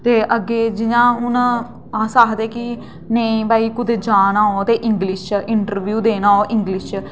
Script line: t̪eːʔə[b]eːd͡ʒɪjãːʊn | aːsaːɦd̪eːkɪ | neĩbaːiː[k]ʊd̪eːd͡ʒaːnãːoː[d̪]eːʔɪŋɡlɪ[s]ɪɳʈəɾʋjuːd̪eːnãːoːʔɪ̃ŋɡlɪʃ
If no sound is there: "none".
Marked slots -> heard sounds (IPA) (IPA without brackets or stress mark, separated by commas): ɡ, k, t̪, ʃ